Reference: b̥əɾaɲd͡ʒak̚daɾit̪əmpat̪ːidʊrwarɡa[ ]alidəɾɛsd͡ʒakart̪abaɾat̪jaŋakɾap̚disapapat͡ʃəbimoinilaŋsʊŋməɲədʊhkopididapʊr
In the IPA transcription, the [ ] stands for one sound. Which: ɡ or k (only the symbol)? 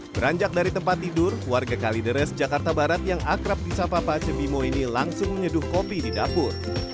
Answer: k